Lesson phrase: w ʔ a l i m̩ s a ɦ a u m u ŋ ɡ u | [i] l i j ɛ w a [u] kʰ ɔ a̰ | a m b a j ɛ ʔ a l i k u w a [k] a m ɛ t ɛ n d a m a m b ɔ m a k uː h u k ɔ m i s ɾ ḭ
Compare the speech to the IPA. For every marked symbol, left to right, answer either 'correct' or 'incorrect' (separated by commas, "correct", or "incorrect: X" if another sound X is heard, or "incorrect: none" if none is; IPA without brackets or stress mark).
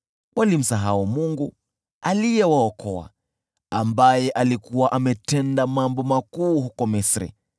incorrect: a, incorrect: ɔ, incorrect: ʔ